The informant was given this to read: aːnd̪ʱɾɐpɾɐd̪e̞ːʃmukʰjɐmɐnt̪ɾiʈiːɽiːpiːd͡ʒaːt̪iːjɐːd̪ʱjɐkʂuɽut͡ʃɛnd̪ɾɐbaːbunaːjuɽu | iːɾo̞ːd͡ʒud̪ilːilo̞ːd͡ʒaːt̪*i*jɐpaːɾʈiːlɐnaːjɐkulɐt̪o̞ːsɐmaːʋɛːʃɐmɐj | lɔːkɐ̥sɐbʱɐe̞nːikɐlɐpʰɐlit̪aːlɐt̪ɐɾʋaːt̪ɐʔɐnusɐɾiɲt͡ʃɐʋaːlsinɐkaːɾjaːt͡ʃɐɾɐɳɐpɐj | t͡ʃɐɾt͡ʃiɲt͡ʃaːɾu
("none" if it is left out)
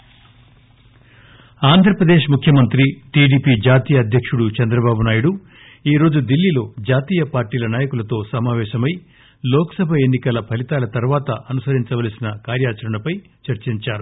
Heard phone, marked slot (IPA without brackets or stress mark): iː